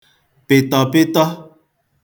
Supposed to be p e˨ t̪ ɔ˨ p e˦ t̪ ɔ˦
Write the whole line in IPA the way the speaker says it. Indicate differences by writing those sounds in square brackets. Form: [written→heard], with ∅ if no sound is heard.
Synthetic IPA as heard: p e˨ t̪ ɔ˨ p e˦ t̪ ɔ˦